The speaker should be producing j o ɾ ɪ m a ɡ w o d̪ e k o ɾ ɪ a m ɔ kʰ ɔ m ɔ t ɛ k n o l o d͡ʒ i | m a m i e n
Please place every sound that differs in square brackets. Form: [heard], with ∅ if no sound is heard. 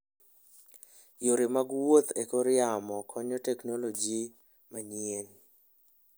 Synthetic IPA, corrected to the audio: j o ɾ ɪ m a ɡ w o [t̪] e k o ɾ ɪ a m ɔ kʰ ɔ [ɲ] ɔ t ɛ k n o l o d͡ʒ i | m a [ɲ] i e n